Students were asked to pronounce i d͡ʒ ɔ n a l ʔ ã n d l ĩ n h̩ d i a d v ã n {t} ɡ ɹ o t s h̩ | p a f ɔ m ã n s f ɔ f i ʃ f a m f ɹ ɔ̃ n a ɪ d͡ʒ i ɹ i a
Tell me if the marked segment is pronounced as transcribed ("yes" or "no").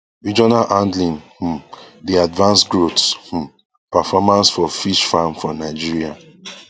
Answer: no